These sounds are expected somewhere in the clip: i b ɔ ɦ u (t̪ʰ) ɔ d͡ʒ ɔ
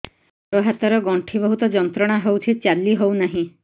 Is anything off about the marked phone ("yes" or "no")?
yes